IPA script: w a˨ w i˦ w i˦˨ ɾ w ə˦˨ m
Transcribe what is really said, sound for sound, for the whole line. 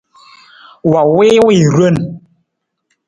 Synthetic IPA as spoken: w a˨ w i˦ w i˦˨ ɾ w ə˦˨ n